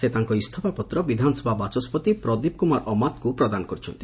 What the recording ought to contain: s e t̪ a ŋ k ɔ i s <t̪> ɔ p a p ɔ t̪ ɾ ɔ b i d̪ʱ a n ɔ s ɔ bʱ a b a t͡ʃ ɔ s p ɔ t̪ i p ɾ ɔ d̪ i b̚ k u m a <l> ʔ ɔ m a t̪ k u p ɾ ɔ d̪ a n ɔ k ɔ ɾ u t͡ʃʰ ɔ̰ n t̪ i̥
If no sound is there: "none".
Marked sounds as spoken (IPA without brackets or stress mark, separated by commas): t̪ʰ, ɾ